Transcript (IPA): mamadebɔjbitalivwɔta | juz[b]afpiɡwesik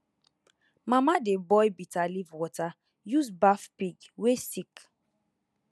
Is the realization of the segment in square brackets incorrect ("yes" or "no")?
no